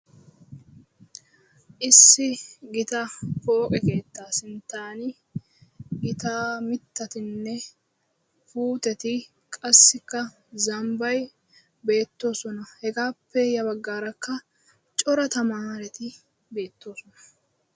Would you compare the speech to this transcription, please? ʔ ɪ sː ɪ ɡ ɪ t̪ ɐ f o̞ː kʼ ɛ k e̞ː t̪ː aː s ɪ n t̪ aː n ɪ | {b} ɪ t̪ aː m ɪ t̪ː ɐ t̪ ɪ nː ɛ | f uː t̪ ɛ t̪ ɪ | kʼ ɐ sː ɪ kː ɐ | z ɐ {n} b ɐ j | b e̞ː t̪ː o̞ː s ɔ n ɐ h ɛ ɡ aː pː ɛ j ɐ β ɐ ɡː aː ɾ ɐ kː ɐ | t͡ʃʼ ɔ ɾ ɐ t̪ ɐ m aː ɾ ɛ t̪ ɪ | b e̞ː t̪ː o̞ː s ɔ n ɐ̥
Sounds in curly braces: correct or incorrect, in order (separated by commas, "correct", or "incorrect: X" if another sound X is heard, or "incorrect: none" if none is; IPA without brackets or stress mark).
incorrect: ɡ, incorrect: m